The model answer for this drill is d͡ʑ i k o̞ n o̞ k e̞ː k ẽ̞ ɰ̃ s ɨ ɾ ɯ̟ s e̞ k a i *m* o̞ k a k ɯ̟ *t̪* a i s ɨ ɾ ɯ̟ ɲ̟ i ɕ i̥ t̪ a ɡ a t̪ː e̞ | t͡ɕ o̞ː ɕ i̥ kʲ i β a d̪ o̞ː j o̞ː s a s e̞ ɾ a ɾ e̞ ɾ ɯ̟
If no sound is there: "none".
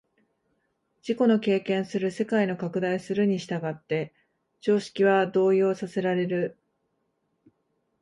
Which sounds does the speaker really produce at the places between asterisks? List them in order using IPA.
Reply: n, d̪

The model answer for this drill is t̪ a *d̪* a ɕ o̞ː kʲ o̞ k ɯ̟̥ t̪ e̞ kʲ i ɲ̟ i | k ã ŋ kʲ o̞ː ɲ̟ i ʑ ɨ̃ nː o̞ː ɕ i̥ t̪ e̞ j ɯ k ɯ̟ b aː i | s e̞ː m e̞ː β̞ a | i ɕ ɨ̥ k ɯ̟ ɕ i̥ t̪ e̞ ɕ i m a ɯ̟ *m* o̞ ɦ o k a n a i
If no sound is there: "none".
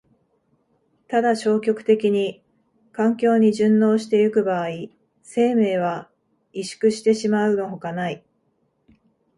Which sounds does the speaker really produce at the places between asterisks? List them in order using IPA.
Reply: d̪, n

